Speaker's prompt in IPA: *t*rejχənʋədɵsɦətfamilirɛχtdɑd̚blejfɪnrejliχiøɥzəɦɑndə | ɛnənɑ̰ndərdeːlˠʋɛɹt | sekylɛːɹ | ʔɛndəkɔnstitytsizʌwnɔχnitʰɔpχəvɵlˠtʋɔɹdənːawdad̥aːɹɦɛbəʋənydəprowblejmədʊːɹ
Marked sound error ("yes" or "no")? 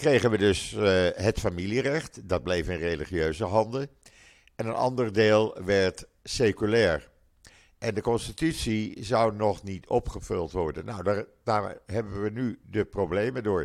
yes